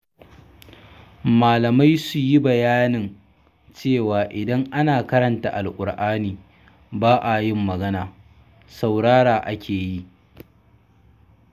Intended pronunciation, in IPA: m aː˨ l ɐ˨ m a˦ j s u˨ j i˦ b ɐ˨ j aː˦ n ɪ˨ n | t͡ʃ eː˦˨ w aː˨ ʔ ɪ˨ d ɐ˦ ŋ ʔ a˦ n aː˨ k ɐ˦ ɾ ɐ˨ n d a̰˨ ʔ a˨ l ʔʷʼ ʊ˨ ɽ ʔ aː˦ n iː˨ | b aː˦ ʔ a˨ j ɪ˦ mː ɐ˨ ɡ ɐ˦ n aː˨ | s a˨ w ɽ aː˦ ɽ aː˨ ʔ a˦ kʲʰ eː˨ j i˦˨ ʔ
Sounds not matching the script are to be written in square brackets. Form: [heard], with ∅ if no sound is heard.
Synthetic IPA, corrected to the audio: m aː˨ l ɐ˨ m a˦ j s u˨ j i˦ b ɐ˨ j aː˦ n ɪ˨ n | t͡ʃ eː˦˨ w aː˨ ʔ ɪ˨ d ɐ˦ ŋ ʔ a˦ n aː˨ k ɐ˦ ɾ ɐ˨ n [t] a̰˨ ʔ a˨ l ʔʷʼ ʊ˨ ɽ ʔ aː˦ n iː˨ | b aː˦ ʔ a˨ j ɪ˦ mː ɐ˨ ɡ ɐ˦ n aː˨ | s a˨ w ɽ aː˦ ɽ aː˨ ʔ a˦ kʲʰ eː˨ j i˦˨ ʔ